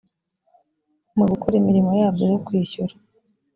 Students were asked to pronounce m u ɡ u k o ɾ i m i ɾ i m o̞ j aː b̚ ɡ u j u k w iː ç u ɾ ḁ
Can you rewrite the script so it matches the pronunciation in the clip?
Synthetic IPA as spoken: m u ɡ u k o ɾ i m i ɾ i m o̞ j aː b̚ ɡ o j o k w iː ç u ɾ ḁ